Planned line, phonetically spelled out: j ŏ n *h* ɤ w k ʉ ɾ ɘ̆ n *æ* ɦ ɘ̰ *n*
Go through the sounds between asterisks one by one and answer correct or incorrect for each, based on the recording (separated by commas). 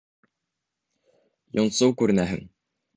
incorrect, correct, incorrect